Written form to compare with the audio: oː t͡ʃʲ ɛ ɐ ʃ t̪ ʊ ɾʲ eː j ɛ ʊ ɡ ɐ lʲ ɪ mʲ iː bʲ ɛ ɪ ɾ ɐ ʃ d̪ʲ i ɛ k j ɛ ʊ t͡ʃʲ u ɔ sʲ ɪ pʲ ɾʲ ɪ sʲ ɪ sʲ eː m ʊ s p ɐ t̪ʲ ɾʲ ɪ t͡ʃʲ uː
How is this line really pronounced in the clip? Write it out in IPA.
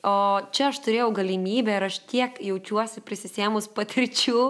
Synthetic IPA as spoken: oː t͡ʃʲ ɛ ɐ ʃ t̪ ʊ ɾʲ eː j ɛ ʊ ɡ ɐ lʲ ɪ mʲ iː bʲ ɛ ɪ ɾ ɐ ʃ t̪ʲ i ɛ k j ɛ ʊ t͡ʃʲ u ɔ sʲ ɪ pʲ ɾʲ ɪ sʲ ɪ sʲ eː m ʊ s p ɐ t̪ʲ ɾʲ ɪ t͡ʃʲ uː